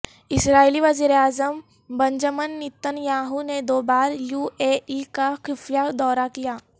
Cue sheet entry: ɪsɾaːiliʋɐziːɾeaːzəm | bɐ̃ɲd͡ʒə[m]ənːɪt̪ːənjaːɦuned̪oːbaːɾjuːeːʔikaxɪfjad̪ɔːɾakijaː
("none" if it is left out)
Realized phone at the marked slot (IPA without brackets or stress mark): m